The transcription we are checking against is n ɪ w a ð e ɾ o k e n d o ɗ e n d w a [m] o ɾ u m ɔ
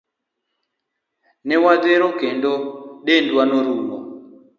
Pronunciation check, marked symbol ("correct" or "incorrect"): incorrect